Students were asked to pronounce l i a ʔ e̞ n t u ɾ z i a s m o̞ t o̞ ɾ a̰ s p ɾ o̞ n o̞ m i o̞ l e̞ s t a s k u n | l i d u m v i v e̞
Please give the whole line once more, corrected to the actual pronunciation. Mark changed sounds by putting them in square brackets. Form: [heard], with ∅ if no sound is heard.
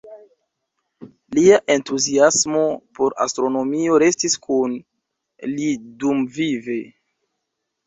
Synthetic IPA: l i a ʔ e̞ n t u [∅] z i a s m o̞ [p] o̞ ɾ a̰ s [t] ɾ o̞ n o̞ m i o̞ [ɾ] e̞ s t [i] s k u n | l i d u m v i v e̞